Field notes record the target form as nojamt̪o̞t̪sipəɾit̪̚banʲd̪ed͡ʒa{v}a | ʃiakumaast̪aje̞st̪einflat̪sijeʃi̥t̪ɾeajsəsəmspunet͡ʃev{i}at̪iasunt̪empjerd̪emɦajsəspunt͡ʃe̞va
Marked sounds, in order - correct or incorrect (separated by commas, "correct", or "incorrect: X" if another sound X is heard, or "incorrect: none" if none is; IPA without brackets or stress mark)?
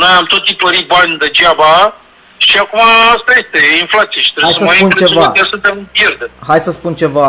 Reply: incorrect: b, incorrect: a